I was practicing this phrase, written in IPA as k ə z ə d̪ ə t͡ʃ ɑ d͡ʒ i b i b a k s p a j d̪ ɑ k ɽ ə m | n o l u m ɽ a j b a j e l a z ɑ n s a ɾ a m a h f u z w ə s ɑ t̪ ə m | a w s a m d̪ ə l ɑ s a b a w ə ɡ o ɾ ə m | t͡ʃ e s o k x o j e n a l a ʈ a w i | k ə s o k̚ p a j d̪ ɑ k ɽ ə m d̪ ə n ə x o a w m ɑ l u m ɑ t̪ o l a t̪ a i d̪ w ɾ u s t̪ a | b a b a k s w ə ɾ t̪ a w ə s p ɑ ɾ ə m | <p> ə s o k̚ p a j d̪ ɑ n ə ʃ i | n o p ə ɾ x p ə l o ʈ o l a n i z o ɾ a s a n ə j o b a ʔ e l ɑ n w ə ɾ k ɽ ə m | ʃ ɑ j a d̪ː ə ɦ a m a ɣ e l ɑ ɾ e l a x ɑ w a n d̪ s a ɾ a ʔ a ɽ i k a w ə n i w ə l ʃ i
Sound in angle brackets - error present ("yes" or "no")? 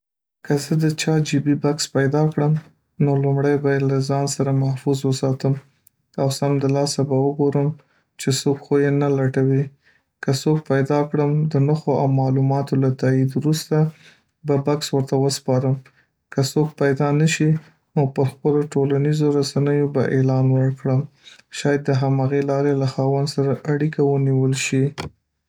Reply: yes